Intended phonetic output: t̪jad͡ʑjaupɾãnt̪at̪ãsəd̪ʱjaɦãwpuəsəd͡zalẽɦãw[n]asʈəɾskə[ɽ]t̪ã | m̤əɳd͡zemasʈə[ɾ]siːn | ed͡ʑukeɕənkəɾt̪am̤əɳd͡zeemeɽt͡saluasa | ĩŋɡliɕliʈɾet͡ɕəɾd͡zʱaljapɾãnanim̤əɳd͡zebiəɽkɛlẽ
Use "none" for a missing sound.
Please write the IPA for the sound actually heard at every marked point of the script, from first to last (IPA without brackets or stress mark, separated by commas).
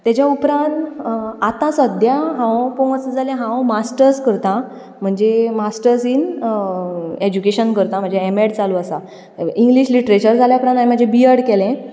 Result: m, ɾ, ɾ